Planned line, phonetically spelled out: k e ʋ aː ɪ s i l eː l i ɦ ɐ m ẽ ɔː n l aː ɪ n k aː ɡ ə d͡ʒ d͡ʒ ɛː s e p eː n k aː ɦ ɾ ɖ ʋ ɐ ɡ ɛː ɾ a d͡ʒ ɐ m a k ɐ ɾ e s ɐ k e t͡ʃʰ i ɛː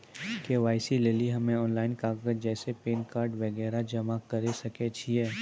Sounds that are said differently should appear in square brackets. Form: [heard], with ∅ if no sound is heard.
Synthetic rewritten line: k e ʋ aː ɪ s i l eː l i ɦ ɐ m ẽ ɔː n l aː ɪ n k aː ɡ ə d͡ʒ d͡ʒ ɛː s e p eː n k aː [∅] ɾ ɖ ʋ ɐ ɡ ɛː ɾ a d͡ʒ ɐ m a k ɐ ɾ e s ɐ k e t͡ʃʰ i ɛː

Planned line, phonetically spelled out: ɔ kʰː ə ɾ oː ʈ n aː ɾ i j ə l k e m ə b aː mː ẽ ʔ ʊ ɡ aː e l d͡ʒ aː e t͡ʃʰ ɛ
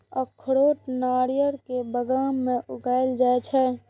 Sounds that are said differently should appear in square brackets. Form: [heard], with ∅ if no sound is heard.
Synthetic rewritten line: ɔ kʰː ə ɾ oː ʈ n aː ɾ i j ə [ɾ] k e [b] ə [ɡ] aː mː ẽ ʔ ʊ ɡ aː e l d͡ʒ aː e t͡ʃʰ ɛ

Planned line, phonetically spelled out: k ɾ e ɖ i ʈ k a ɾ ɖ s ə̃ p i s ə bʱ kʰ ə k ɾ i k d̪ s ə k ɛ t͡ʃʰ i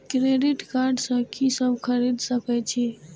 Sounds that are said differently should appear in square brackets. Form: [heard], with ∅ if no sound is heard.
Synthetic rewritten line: k ɾ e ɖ i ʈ k a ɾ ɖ s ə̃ [k] i s ə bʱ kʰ ə [∅] ɾ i [∅] d̪ s ə k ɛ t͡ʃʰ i

